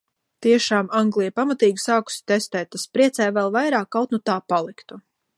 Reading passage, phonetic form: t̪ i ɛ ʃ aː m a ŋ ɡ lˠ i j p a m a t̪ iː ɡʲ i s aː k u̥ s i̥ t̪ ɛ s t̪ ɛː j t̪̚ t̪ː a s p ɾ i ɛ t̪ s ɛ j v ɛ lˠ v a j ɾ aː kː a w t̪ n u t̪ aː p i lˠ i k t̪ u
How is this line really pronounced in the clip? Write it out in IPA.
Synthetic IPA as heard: t̪ i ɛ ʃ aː m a ŋ ɡ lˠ i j p a m a t̪ iː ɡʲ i s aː k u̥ s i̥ t̪ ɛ s t̪ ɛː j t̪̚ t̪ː a s p ɾ i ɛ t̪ s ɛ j v ɛ lˠ v a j ɾ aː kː a w t̪ n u t̪ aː p a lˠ i k t̪ u